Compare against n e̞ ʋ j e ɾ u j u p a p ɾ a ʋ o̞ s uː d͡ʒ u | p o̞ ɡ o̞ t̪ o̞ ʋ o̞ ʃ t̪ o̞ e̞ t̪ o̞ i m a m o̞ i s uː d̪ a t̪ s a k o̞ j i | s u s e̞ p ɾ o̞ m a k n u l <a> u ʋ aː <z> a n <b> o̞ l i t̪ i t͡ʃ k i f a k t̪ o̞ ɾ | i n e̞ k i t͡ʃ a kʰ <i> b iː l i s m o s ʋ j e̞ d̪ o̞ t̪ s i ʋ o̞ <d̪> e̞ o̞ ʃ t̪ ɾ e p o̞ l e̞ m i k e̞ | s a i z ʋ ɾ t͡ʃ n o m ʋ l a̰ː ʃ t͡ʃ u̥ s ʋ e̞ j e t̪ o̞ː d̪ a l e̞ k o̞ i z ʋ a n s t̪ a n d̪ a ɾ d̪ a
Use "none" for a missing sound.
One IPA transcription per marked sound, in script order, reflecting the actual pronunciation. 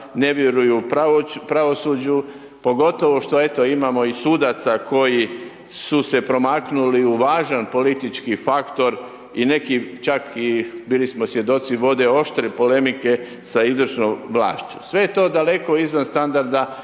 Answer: i, ʒ, p, i, d̪

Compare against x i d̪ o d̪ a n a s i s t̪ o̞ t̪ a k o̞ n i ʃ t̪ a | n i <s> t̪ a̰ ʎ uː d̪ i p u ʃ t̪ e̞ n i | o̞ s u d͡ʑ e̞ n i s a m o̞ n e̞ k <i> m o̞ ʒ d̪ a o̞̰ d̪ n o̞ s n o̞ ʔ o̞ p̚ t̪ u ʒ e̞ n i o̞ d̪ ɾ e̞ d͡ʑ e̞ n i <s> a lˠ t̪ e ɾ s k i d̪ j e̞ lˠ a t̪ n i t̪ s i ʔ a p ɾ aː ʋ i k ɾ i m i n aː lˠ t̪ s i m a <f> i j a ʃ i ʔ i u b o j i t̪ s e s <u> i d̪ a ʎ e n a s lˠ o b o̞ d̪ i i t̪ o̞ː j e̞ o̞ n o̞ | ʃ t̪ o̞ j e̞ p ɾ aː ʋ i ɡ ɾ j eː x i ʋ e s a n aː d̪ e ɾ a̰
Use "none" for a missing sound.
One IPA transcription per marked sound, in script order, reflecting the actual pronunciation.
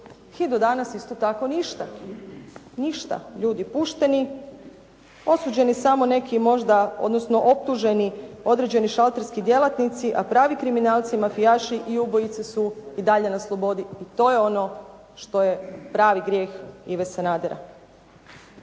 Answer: ʃ, i, ʃ, f, u

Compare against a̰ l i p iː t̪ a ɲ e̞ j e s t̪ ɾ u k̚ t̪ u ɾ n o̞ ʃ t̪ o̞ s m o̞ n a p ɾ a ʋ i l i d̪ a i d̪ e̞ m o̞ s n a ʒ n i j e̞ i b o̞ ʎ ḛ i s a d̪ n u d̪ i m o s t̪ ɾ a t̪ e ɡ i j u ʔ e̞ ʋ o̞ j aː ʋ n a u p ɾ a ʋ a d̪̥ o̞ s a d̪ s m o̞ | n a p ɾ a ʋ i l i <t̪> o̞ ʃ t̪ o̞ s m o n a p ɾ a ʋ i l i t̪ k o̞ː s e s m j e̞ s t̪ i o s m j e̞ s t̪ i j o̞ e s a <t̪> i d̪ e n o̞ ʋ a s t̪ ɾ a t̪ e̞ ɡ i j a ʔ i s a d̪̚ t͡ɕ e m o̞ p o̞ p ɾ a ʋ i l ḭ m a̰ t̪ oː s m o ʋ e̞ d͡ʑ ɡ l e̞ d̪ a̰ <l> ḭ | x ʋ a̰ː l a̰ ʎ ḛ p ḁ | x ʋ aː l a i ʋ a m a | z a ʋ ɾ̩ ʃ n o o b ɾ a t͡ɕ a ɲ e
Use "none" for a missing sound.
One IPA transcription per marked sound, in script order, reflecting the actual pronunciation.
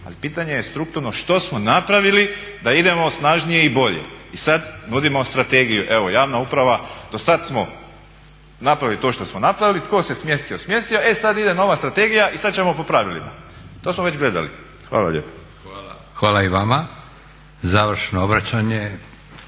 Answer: t̪, d̪, l

